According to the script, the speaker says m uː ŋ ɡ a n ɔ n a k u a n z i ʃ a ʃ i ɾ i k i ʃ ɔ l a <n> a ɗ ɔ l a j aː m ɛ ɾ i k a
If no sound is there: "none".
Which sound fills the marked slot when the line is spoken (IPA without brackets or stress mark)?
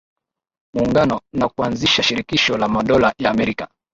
m